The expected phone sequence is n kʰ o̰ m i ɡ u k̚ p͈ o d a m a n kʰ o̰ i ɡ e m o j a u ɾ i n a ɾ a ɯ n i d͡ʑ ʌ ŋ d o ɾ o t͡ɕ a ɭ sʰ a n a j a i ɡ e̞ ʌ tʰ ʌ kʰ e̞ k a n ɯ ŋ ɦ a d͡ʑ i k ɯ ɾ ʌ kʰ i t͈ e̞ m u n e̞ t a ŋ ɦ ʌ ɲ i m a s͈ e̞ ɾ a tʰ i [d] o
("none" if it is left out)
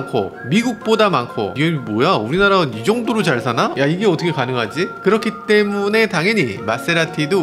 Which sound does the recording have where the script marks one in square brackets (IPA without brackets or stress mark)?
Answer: d